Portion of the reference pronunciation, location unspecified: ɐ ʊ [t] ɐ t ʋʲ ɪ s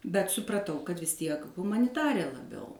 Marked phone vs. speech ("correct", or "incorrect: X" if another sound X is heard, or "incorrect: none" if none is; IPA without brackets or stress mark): incorrect: k